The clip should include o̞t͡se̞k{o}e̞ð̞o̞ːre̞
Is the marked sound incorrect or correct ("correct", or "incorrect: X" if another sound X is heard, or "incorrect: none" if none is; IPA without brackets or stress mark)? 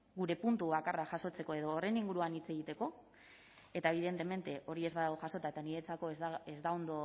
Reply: correct